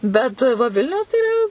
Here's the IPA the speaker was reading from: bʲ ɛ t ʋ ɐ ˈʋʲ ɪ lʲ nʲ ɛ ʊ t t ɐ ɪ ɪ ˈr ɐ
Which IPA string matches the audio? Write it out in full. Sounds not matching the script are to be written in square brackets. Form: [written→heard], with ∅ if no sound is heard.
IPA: bʲ ɛ t ʋ ɐ ˈʋʲ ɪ lʲ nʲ ɛ ʊ [t→s] t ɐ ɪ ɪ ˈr ɐ